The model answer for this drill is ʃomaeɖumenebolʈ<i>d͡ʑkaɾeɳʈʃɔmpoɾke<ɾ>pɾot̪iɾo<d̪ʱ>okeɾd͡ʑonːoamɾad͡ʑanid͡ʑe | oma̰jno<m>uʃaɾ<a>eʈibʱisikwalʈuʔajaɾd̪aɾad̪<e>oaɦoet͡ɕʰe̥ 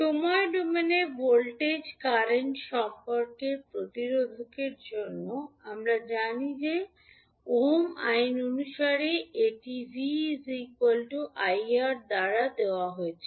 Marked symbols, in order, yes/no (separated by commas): no, yes, yes, no, no, yes